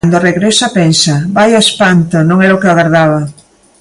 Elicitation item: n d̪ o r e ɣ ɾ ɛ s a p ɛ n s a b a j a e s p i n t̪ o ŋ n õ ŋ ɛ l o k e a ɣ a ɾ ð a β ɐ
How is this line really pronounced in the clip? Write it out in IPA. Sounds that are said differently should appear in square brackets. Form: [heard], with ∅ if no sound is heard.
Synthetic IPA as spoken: n d̪ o r e ɣ ɾ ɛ s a p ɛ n s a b a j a e s p [a] n t̪ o [∅] n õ ŋ ɛ [ɾ] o k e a ɣ a ɾ ð a β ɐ